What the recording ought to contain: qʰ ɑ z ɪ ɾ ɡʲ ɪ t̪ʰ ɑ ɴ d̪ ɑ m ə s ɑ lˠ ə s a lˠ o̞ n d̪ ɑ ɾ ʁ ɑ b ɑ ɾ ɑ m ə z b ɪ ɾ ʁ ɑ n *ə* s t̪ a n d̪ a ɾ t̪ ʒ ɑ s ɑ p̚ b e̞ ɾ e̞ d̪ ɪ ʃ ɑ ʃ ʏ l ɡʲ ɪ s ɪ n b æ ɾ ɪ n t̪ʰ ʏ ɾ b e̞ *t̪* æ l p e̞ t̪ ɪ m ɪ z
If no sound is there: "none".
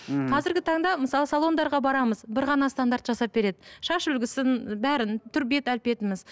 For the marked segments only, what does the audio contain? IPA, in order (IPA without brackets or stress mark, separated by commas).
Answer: ɑ, t̪